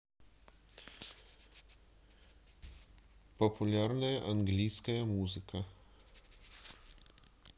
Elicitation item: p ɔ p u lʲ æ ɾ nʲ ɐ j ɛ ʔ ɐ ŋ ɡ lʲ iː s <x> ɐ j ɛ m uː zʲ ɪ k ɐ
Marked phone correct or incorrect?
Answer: incorrect